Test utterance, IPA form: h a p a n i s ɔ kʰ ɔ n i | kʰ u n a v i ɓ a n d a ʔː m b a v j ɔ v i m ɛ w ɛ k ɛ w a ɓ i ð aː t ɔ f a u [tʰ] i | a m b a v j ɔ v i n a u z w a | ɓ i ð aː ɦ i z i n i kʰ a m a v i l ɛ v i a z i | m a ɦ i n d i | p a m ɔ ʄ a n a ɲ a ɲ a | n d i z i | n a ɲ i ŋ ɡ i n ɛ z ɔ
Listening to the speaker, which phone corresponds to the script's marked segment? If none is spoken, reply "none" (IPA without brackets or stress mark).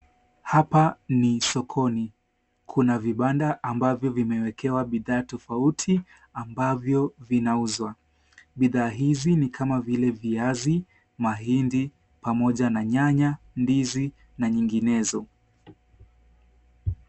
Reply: tʰ